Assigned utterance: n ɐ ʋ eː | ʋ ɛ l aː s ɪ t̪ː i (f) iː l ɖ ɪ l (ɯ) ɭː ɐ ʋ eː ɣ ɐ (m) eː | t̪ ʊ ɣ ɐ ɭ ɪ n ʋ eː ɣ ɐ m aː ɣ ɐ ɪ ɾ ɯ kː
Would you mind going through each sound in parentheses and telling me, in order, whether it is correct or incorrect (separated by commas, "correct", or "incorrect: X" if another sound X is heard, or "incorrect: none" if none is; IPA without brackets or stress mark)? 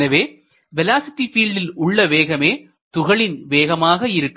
correct, incorrect: ʊ, correct